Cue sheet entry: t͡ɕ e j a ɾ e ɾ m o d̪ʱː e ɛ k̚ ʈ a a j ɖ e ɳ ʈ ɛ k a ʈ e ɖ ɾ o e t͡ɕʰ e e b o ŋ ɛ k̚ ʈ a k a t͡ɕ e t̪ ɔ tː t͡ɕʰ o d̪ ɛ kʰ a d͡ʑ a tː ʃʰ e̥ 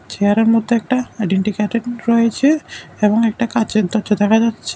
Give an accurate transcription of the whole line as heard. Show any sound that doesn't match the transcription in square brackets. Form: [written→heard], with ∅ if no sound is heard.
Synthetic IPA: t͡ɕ e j a ɾ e ɾ m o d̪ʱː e ɛ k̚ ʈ a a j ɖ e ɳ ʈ [ɛ→i] k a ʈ e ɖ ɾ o e t͡ɕʰ e e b o ŋ ɛ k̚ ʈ a k a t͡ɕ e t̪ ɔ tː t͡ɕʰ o d̪ ɛ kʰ a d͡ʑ a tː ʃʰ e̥